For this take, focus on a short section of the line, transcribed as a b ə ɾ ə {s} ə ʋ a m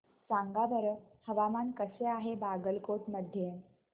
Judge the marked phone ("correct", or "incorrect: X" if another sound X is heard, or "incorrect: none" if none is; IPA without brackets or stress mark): incorrect: h